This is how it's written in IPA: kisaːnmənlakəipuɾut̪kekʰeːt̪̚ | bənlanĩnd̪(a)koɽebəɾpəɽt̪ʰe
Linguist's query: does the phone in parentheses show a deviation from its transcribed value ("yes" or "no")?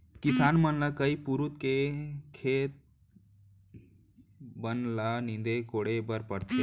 yes